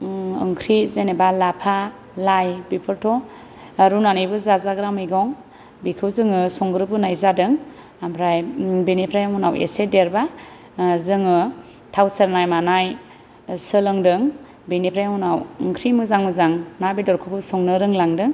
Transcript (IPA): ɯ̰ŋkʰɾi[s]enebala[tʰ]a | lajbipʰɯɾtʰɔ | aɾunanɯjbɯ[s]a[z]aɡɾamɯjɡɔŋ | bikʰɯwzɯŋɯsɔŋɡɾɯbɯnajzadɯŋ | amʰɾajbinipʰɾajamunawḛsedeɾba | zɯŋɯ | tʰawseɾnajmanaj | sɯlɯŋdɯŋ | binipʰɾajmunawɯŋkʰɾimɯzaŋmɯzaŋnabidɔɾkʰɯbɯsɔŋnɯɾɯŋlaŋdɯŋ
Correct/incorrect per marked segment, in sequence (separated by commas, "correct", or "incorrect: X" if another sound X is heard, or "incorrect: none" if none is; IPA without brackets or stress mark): incorrect: z, incorrect: pʰ, incorrect: z, correct